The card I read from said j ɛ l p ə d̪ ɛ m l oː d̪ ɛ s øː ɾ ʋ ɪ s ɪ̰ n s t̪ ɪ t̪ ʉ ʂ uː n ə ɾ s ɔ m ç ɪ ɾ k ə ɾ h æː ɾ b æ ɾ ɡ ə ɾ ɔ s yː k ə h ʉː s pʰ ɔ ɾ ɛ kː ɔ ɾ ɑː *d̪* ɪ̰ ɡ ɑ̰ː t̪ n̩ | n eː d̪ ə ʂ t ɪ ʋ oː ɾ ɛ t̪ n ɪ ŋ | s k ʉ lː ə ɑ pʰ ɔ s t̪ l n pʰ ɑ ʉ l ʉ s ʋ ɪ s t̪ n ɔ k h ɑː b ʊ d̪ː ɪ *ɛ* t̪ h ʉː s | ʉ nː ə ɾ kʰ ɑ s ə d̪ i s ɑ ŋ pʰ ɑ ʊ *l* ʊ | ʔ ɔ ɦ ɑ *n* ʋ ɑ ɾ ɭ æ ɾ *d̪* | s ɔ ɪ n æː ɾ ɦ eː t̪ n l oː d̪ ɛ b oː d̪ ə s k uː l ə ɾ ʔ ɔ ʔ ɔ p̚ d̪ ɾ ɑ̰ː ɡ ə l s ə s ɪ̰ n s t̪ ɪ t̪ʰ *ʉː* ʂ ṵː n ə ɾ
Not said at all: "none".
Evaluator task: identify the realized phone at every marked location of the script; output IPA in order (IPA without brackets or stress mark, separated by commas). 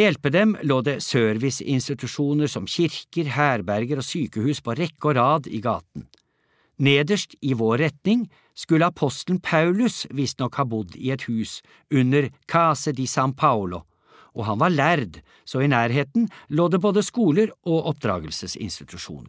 d̪, ɛ, l, n, d̪, ʉ